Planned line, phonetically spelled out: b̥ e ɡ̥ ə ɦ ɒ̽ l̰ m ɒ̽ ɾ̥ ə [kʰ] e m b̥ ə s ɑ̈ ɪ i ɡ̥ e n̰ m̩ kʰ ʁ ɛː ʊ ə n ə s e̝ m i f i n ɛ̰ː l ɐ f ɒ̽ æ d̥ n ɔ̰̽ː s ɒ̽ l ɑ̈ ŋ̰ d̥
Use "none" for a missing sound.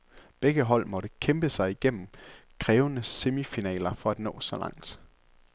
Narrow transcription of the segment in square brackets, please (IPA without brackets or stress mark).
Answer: kʰ